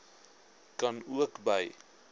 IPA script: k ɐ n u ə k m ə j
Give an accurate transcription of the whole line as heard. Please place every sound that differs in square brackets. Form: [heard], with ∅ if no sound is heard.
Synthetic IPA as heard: k ɐ n u ə k [b] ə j